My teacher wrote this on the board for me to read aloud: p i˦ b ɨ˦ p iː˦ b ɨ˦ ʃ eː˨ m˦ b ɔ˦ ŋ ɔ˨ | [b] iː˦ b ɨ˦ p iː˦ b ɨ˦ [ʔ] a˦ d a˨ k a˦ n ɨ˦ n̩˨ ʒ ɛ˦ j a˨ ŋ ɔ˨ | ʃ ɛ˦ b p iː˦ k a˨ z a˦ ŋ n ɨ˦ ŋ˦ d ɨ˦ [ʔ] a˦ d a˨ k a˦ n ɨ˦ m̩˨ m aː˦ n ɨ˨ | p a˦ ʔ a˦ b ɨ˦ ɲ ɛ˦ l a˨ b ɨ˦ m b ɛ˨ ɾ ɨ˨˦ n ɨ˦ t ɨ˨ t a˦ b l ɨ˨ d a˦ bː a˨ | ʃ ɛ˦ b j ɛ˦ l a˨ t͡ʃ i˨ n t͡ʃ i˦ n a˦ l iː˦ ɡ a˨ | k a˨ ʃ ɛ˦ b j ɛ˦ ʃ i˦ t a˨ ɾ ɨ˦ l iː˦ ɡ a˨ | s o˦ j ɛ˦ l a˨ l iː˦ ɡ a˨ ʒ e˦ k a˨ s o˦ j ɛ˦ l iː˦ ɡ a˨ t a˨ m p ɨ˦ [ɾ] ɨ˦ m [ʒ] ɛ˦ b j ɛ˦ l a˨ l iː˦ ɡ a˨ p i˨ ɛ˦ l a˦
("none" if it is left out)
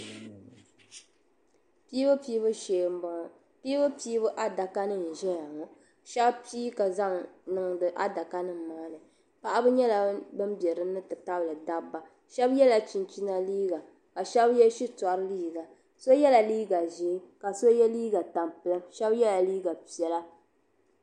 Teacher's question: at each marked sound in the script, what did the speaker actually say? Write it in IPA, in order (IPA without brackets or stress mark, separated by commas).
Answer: p, ʔ, ʔ, l, ʃ